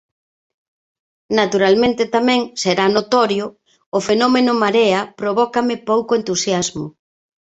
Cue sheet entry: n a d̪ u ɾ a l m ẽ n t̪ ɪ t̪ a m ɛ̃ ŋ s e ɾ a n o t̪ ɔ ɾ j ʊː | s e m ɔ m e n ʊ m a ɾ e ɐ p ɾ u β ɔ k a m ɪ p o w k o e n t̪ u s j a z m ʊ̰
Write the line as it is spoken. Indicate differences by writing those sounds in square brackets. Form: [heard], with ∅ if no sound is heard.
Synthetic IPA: n a [t̪] u ɾ a l m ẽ n t̪ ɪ t̪ a m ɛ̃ ŋ s e ɾ a n o t̪ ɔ ɾ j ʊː | [f] e [n] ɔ m e n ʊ m a ɾ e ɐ p ɾ [o] β ɔ k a m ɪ p o w k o e n t̪ u s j a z m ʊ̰